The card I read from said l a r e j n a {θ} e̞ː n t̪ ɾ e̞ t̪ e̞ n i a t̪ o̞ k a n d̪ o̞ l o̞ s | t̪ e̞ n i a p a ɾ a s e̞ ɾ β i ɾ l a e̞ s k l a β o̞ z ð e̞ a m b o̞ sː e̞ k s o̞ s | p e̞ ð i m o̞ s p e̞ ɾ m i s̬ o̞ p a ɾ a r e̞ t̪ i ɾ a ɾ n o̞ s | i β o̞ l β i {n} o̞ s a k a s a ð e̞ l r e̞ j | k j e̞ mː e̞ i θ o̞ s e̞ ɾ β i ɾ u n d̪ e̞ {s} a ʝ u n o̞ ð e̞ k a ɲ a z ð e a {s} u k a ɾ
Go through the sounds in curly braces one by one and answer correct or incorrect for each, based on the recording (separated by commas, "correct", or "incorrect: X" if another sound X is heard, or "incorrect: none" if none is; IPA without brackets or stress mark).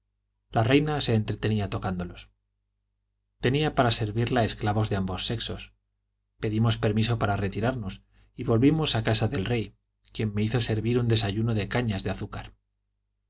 incorrect: s, incorrect: m, correct, incorrect: θ